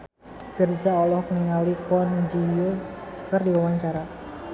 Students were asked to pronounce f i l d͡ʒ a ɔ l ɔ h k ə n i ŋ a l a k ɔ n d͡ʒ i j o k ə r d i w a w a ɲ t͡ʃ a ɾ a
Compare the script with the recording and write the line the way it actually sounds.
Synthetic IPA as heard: f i r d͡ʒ a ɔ l ɔ h k ə n i ŋ a l i k ɔ n d͡ʒ i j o k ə r d i w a w a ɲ t͡ʃ a ɾ a